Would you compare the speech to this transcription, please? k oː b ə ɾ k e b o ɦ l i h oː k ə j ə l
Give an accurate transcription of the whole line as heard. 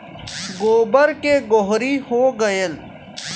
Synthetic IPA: ɡ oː b ə ɾ k e ɡ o ɦ ɾ i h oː ɡ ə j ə l

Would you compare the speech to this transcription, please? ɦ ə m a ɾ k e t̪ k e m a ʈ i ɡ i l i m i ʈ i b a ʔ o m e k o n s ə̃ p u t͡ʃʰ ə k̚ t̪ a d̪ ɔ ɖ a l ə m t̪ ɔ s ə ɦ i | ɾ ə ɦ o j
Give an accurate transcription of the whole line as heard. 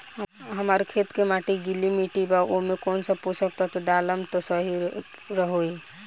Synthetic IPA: ɦ ə m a ɾ kʰ e t̪ k e m a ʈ i ɡ i l i m i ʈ i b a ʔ o m e k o n s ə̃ p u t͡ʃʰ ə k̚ t̪ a t̪ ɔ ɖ a l ə m t̪ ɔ s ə ɦ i | ɾ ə ɦ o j

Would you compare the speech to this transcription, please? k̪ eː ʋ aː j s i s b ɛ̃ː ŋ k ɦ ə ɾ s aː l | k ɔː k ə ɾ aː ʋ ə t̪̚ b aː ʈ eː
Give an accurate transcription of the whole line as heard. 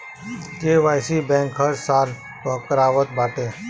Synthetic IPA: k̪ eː ʋ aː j s i b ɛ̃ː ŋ k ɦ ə ɾ s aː l | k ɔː k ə ɾ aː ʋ ə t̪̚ b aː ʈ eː

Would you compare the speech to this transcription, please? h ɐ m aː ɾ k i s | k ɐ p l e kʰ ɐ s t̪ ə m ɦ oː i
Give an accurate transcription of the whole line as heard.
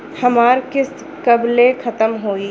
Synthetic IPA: h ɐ m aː ɾ k ɪ s | k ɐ b l e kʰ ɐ t̪ ə m ɦ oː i

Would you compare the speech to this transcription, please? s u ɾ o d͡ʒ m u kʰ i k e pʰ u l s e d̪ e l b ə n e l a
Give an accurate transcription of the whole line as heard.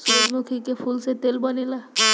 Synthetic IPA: s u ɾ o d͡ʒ m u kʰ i k e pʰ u l s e t̪ e l b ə n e l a

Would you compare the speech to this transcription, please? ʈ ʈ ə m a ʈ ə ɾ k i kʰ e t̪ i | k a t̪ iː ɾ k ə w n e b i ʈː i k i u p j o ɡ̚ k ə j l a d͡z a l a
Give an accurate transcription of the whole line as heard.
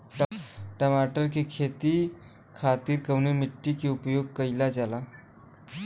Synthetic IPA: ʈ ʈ ə m a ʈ ə ɾ k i kʰ e t̪ i | kʰ a t̪ iː ɾ k ə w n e m i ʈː i k i u p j o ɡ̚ k ə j l a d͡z a l a

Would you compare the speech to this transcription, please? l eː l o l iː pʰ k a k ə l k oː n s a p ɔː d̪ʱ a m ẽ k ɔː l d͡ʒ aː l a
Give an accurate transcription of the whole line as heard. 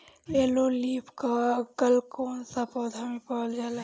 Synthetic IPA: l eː l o l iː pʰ k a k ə l k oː n s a p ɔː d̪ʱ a m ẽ p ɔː l d͡ʒ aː l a

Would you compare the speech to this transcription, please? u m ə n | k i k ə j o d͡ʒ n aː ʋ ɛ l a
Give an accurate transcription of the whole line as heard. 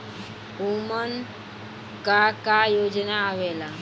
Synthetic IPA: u m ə n | k a k a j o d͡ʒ n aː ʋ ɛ l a

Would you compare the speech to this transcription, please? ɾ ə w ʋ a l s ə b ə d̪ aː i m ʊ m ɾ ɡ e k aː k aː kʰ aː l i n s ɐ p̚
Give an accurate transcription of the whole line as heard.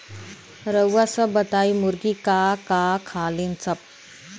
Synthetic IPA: ɾ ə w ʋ a s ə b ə t̪ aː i m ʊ ɾ ɡ i k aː k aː kʰ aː l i n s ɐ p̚

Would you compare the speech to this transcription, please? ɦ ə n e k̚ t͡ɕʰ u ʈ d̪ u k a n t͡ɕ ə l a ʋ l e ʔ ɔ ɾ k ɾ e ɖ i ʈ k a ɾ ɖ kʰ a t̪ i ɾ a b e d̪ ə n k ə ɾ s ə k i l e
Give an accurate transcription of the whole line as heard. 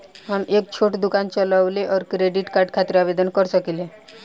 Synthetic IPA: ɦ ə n e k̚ t͡ɕʰ o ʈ d̪ u k a n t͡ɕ ə l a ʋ l e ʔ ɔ ɾ k ɾ e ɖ i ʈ k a ɾ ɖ kʰ a t̪ i ɾ a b e d̪ ə n k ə ɾ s ə k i l e

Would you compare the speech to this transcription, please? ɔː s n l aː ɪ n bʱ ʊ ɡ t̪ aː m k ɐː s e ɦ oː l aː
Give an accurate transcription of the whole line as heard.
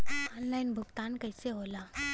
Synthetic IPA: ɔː n l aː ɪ n bʱ ʊ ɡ t̪ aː n k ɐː s e ɦ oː l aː

